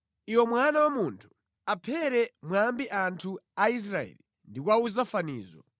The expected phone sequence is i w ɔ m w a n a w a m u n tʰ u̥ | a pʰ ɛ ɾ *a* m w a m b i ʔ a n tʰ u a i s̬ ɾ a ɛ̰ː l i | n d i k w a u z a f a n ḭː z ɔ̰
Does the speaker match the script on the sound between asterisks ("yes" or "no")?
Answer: no